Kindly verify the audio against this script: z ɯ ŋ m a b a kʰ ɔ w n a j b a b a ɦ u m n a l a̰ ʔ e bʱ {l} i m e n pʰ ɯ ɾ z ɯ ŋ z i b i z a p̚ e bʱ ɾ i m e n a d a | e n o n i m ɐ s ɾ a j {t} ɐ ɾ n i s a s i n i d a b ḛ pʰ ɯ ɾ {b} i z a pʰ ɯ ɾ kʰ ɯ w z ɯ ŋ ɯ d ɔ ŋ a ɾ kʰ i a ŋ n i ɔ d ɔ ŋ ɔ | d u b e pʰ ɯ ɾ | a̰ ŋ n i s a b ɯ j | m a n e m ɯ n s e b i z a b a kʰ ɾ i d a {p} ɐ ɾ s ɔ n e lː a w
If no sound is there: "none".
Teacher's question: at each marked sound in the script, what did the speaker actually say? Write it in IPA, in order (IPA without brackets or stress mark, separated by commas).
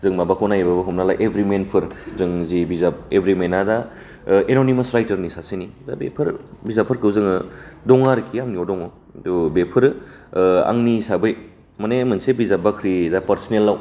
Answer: ɾ, t, b, p